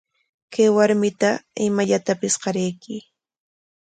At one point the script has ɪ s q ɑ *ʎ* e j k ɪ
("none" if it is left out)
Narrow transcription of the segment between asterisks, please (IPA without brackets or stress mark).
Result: ɾ